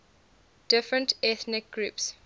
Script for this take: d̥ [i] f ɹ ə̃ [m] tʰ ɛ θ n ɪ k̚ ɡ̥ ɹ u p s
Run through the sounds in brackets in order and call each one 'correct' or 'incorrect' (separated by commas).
incorrect, incorrect